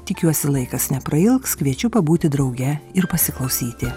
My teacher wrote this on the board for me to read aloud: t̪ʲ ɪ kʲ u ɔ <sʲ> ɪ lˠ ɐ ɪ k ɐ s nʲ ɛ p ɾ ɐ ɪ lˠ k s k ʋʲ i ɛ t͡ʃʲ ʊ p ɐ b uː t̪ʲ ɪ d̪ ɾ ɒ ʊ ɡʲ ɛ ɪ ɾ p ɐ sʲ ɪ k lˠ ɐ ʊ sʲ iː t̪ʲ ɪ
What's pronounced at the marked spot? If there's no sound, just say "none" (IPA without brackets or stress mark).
sʲ